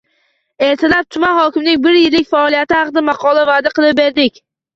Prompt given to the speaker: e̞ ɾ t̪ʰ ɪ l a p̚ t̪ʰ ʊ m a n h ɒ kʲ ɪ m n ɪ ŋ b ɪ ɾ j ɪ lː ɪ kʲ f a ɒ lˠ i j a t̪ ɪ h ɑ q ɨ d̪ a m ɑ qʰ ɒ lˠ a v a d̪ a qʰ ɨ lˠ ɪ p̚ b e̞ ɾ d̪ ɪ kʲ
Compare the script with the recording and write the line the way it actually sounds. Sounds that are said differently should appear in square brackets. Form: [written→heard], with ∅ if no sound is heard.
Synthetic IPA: e̞ ɾ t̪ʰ ɪ l a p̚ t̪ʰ ʊ m a n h ɒ kʲ ɪ m n ɪ ŋ b ɪ ɾ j ɪ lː ɪ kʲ f a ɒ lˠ i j a t̪ ɪ h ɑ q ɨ d̪ a m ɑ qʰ ɒ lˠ a v a d̪ a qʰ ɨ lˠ ɪ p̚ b e̞ ɾ d̪ ɪ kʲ